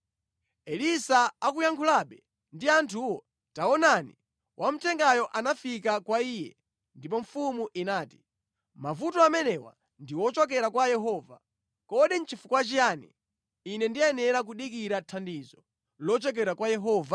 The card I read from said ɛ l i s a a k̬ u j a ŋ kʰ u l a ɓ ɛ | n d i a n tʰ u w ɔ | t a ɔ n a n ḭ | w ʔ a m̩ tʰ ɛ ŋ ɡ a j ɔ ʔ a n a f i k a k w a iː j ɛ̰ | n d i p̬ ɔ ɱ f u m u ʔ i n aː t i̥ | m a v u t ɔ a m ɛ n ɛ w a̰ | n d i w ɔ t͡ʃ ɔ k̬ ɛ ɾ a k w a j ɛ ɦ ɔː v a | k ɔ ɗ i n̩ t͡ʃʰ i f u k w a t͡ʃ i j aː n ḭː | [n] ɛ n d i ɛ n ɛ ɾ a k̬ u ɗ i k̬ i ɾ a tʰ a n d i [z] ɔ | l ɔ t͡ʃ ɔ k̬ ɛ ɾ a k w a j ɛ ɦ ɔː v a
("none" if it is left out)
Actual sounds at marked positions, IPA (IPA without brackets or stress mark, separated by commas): n, z